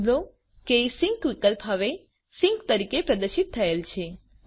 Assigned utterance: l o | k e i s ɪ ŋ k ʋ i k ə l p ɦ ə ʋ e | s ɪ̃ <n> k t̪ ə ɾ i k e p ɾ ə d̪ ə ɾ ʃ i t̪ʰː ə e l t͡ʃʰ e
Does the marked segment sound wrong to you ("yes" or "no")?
yes